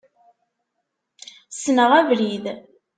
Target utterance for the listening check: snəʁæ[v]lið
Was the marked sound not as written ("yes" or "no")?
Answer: no